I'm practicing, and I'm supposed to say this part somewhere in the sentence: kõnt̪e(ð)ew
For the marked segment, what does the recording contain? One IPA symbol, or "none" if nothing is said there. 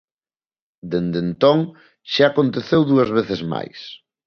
θ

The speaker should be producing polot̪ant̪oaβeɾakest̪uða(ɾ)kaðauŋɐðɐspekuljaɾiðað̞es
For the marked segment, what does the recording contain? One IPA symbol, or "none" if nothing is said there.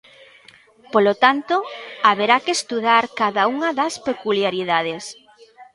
ɾ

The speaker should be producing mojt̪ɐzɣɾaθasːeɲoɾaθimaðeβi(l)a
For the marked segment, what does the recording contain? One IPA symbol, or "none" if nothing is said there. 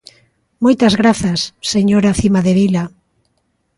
l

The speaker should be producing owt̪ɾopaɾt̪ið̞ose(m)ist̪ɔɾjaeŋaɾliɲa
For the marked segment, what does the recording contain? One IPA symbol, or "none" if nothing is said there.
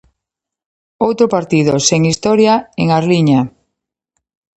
ŋ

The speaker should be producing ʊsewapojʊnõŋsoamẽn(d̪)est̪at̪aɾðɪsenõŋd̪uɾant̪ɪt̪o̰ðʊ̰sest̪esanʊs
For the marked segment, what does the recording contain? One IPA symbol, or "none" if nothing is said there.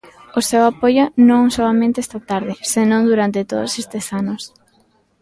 t̪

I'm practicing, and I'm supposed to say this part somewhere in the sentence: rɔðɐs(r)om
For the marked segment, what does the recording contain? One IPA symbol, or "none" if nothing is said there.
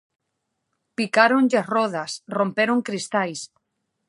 r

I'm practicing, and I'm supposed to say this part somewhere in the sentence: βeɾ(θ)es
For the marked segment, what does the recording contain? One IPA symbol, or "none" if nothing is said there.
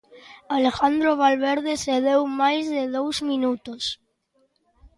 ð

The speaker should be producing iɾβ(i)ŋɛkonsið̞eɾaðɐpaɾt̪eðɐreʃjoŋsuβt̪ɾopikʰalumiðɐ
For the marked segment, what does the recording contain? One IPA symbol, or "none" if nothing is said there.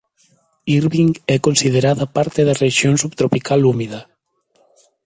i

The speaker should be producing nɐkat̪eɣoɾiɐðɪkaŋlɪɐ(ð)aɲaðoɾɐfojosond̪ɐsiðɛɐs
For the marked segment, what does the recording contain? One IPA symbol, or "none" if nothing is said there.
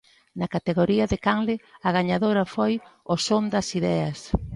ɣ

